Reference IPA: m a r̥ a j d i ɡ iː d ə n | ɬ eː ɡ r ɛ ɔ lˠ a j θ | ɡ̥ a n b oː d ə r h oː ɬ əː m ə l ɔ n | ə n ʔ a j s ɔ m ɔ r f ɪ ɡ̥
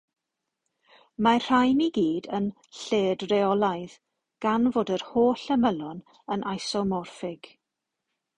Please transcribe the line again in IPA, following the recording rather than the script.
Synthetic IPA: m a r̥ a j n i ɡ iː d ə n | ɬ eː d r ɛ ɔ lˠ a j ð | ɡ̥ a n v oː d ə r h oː ɬ ə m ə l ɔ n | ə n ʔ a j s ɔ m ɔ r f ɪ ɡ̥